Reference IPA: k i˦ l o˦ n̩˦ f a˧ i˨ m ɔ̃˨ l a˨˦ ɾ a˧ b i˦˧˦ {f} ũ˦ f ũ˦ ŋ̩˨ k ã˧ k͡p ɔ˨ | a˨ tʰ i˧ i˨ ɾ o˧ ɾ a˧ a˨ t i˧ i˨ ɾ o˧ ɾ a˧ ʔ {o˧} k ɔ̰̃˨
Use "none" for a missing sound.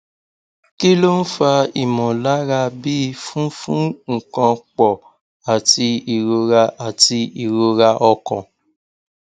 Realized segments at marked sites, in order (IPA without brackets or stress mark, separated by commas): f, ɔ˧